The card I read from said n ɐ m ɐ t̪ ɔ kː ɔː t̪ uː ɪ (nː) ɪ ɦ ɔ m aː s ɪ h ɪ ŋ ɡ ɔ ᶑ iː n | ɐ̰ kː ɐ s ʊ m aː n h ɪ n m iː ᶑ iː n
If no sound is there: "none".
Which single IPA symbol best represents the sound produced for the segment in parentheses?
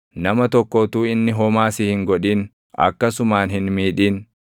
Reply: nː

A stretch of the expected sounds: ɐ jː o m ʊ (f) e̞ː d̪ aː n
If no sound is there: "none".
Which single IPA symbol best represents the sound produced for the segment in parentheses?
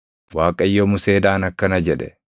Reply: s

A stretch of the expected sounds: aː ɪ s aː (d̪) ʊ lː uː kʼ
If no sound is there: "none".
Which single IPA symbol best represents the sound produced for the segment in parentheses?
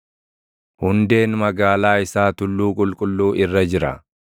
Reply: t̪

